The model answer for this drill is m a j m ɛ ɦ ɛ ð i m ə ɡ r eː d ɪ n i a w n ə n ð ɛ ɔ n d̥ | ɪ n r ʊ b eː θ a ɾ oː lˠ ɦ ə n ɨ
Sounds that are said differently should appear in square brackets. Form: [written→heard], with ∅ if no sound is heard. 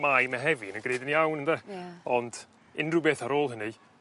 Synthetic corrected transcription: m a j m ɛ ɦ ɛ [ð→v] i [m→n] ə ɡ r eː d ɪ n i a w n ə n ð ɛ ɔ n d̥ | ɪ n r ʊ b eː θ a ɾ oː lˠ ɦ ə n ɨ